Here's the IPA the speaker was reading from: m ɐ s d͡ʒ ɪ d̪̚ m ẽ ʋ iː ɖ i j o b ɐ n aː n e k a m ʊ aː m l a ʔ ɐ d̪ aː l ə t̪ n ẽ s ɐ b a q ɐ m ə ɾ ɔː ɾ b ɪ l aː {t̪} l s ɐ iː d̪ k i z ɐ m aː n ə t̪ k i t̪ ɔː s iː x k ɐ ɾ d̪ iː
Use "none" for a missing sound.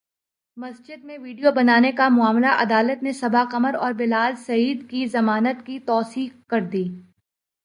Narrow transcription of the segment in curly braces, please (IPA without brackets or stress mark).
none